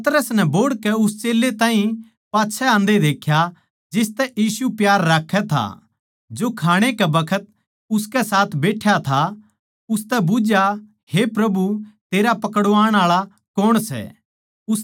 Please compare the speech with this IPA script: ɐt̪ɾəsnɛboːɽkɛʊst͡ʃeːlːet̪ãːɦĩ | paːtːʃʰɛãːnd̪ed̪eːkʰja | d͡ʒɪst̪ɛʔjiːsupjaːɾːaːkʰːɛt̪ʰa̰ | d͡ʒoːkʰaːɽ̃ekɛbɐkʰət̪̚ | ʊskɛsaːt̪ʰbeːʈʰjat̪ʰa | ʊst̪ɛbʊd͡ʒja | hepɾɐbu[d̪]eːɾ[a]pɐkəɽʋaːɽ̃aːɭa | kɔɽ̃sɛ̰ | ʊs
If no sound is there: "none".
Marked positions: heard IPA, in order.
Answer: t̪, a

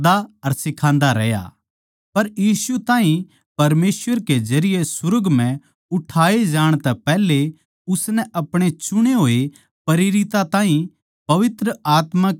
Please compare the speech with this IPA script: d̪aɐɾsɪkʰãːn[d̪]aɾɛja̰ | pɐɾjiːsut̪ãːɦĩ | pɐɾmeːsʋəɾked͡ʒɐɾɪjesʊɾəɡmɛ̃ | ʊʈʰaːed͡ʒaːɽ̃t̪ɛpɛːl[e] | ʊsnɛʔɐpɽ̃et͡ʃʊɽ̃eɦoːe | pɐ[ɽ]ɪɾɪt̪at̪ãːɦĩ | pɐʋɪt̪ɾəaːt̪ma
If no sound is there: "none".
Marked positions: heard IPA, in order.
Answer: d̪, e, ɾ

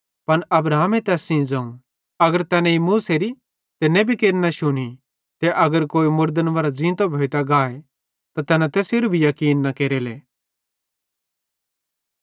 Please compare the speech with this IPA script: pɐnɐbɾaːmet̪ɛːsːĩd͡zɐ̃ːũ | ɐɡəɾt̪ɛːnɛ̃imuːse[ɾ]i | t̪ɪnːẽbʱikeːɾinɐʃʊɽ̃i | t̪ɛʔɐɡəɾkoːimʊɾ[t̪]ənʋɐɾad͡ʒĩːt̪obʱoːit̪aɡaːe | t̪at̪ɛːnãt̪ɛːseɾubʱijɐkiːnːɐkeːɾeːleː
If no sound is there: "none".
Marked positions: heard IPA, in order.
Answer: ɾ, d̪

